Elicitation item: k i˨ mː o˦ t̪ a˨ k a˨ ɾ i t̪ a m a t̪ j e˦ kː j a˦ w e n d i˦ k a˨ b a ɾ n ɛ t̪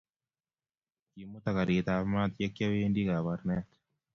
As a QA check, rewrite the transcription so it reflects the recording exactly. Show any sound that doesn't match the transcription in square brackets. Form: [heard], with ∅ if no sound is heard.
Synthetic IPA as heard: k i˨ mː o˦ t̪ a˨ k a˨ ɾ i t̪ a m a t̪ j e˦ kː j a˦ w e n d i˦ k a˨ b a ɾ n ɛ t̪